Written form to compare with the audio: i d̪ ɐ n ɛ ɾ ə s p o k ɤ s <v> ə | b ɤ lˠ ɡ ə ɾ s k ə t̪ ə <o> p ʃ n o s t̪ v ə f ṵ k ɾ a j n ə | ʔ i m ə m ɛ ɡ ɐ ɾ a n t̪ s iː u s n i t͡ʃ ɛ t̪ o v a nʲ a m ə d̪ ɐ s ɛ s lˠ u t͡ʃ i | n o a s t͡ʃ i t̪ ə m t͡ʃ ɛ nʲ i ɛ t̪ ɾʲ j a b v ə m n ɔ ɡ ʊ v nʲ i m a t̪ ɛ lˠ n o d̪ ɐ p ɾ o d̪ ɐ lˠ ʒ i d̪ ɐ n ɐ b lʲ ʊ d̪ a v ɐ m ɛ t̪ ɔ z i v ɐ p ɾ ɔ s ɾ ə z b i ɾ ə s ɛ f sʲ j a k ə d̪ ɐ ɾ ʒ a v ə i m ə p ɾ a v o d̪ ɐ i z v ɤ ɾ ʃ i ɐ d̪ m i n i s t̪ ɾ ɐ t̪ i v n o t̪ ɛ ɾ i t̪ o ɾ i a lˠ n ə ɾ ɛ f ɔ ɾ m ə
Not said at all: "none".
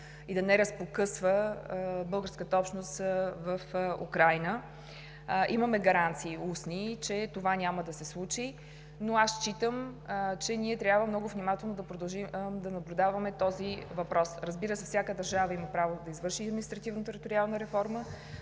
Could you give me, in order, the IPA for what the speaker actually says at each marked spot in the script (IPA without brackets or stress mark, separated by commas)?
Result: v, ɔ